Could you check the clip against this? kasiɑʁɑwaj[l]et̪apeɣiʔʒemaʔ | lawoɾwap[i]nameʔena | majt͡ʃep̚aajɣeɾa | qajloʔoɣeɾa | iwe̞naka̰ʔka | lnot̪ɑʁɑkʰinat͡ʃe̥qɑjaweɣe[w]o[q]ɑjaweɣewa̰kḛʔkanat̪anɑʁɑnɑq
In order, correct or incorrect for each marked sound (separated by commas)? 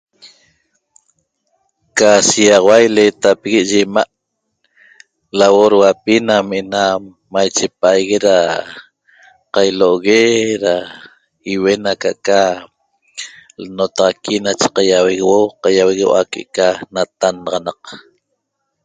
correct, correct, correct, correct